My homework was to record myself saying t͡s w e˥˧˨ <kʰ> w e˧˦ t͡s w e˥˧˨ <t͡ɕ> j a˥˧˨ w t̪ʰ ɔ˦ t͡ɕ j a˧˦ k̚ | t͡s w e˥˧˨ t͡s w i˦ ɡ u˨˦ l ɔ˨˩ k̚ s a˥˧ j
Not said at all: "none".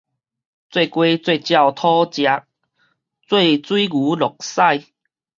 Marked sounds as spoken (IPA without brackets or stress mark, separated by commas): k, t͡ɕ